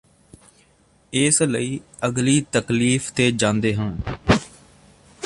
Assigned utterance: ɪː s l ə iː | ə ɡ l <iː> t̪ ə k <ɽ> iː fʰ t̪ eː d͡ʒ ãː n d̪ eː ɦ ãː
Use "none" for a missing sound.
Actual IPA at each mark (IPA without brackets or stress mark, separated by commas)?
iː, l